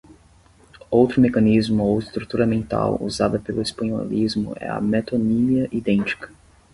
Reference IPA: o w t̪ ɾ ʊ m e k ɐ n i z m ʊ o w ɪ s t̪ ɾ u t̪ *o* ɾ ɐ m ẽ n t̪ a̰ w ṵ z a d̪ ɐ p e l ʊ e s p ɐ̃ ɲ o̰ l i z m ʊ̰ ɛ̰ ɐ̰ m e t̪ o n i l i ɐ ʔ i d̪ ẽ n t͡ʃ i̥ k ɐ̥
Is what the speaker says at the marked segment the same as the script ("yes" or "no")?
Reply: no